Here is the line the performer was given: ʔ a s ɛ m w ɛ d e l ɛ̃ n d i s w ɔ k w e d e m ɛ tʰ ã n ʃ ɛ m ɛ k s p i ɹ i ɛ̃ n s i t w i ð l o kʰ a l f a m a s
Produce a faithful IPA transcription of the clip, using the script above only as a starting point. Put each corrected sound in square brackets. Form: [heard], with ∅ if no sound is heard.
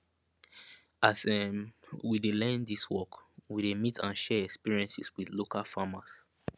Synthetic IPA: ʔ a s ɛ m w [i] d e l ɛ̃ n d i s w ɔ k w [i] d e m [i] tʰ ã n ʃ ɛ [∅] ɛ k s p i ɹ i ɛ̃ n s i [s] w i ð l o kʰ a l f a m a s